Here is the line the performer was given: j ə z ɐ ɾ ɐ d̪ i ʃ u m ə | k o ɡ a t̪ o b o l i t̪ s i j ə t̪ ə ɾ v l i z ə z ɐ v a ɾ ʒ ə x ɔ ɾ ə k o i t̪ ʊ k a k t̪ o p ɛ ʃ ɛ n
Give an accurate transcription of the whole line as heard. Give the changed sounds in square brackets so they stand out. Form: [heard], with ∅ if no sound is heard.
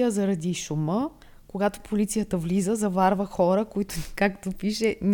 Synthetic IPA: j ə z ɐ ɾ ɐ d̪ i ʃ u m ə | k o ɡ a t̪ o [p] o l i t̪ s i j ə t̪ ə [∅] v l i z ə z ɐ v a ɾ [v] ə x ɔ ɾ ə k o i t̪ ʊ k a k t̪ o p [i] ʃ ɛ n